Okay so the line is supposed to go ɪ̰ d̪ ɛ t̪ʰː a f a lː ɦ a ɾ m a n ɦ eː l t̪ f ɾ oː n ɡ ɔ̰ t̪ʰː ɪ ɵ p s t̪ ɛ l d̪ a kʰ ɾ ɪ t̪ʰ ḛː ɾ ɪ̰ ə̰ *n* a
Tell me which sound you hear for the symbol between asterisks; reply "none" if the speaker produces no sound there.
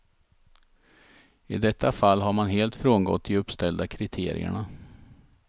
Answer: ɳ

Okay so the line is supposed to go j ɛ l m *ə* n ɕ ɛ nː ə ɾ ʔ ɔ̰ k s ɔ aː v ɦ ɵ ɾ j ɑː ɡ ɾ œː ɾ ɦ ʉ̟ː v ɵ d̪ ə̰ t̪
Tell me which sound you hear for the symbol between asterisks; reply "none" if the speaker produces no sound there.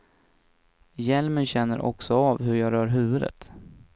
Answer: ə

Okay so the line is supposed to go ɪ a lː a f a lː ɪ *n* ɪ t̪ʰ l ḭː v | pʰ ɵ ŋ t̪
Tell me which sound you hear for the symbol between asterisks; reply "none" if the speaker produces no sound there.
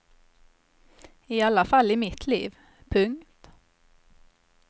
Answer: m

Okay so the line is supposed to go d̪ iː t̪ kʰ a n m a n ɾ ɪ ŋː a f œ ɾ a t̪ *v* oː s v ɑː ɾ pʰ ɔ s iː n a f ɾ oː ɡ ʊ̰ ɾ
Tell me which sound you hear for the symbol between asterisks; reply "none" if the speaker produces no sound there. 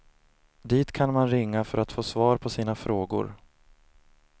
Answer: f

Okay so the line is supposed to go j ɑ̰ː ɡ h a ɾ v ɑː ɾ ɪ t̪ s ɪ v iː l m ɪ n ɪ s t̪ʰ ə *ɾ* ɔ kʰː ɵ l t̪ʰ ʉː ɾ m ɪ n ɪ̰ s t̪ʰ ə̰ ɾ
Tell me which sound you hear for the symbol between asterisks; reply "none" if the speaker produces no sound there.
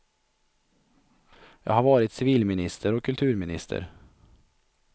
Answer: ɾ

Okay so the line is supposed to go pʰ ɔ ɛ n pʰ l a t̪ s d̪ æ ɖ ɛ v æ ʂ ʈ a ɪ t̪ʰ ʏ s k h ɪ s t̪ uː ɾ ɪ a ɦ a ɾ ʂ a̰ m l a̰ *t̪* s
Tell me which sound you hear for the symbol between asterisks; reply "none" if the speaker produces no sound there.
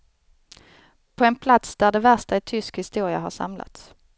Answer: t̪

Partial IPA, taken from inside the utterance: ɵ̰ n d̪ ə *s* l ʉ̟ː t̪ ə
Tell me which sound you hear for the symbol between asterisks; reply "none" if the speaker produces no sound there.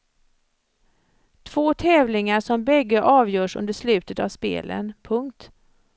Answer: ʂ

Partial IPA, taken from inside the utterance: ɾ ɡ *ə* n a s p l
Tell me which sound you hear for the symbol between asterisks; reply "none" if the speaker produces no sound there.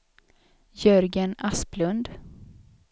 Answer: ə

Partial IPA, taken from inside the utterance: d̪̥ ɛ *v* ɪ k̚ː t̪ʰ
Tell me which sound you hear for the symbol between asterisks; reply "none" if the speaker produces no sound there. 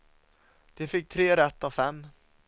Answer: f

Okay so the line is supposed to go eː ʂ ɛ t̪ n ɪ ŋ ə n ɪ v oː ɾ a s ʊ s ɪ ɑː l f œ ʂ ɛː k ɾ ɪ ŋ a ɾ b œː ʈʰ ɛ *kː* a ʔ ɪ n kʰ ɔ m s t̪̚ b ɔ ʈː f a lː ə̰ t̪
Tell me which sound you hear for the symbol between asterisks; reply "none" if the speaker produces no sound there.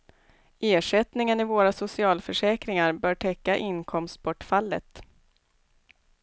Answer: kː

